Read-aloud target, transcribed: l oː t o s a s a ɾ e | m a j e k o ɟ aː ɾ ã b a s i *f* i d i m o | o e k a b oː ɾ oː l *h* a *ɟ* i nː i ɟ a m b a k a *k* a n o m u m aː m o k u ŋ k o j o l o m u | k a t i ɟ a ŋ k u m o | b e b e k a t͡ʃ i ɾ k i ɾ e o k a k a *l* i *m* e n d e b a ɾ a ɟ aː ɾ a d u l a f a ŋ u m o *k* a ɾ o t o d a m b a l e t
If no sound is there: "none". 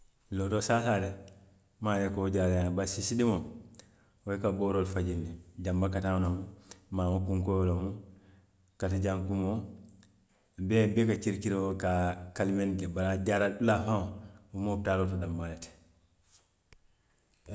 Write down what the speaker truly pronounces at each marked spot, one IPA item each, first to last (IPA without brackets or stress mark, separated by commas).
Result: s, f, ɟ, t, l, m, t